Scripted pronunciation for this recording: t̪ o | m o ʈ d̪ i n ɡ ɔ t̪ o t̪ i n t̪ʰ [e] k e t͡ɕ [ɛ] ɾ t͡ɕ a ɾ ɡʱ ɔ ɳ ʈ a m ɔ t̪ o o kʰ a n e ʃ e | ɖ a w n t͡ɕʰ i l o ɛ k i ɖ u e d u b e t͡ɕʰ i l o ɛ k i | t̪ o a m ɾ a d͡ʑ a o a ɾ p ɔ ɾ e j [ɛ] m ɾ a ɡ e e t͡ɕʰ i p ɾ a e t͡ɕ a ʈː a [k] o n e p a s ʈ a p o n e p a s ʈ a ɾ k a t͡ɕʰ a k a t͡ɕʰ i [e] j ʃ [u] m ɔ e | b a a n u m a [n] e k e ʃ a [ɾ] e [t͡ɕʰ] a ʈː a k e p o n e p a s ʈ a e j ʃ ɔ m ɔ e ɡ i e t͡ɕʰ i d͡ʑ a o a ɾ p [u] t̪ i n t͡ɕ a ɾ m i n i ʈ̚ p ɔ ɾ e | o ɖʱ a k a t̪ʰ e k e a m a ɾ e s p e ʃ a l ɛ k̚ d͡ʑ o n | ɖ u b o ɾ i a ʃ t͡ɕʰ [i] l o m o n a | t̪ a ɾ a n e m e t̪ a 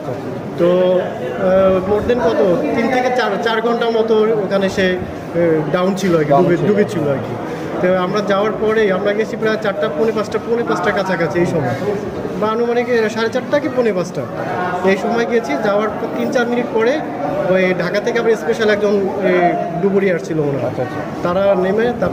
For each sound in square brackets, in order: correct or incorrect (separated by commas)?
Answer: correct, incorrect, incorrect, incorrect, correct, incorrect, correct, correct, incorrect, incorrect, correct